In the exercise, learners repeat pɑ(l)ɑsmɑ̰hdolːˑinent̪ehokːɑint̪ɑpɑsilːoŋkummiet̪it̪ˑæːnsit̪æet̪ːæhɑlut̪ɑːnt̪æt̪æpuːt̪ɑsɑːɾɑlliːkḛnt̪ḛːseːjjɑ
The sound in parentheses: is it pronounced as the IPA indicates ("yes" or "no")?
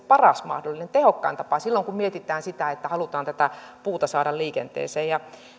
no